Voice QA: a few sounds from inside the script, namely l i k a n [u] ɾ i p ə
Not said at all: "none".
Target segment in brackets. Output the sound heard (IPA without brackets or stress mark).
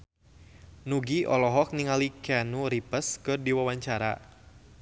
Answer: u